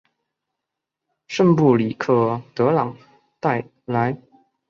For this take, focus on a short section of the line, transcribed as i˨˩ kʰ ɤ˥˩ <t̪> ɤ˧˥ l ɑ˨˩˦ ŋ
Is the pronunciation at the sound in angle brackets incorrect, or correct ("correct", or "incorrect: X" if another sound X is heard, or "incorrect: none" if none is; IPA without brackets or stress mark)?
correct